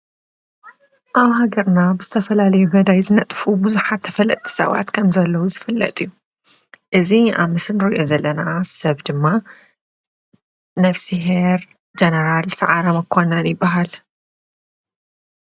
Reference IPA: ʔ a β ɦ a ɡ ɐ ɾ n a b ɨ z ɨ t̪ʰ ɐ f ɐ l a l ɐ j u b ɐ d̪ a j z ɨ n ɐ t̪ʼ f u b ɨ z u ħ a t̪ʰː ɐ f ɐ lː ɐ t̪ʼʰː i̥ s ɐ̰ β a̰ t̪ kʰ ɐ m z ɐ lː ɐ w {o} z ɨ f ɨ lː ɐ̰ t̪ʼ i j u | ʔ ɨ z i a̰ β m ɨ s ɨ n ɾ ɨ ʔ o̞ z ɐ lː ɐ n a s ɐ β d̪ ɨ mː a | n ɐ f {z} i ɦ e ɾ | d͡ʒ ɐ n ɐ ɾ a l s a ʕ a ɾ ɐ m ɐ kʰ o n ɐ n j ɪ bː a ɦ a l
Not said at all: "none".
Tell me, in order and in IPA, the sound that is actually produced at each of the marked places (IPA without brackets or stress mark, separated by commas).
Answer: u, s